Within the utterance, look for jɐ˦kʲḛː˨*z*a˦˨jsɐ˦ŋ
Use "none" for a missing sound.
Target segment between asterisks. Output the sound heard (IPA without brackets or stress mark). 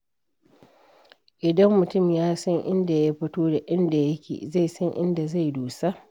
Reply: z